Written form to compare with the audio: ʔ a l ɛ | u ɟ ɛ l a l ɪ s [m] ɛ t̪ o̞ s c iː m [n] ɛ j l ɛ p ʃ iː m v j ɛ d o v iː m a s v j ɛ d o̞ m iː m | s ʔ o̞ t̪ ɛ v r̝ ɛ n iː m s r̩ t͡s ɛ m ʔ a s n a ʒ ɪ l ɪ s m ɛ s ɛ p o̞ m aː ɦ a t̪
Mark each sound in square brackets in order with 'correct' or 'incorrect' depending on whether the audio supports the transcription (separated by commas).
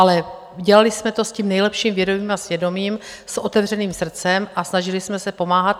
correct, correct